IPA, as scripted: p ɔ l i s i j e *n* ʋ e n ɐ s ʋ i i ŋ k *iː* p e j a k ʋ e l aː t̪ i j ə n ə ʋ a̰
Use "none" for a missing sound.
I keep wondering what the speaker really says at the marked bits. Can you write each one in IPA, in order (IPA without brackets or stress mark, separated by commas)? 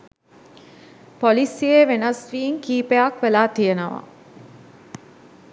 none, iː